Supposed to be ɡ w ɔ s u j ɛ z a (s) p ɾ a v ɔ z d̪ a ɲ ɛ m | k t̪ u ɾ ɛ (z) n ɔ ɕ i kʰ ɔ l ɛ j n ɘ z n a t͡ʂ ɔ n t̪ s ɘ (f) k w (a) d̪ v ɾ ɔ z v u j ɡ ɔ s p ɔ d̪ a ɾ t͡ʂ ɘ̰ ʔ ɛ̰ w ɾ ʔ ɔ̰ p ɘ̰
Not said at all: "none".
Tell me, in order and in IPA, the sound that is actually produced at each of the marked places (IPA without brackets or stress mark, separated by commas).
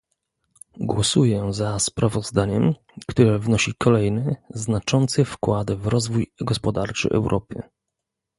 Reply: s, v, f, a